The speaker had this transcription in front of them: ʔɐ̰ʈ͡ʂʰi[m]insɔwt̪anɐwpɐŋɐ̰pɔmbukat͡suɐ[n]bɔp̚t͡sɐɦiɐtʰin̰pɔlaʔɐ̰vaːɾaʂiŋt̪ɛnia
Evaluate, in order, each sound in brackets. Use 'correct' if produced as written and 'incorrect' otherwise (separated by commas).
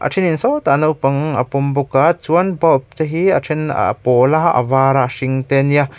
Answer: incorrect, correct